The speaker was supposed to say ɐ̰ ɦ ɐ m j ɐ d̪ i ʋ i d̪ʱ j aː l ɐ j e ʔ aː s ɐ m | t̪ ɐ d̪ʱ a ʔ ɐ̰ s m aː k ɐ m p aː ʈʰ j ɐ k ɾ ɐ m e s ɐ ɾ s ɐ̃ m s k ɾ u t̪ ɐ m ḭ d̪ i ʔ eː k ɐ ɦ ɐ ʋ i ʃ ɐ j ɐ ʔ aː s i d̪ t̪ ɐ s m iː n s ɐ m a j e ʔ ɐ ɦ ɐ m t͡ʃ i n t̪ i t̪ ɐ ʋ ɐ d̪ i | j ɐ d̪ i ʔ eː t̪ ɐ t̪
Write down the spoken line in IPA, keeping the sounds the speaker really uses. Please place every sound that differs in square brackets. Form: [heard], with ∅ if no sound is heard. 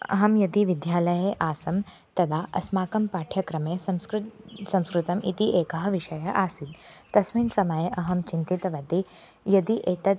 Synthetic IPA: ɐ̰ ɦ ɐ m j ɐ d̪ i ʋ i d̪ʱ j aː l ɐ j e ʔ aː s ɐ m | t̪ ɐ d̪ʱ a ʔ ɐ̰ s m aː k ɐ m p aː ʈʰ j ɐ k ɾ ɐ m e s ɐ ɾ s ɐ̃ m s k ɾ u t̪ ɐ m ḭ [t̪] i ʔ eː k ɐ ɦ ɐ ʋ i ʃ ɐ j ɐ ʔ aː s i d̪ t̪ ɐ s m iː n s ɐ m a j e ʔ ɐ ɦ ɐ m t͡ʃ i n t̪ i t̪ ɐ ʋ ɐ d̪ i | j ɐ d̪ i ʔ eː t̪ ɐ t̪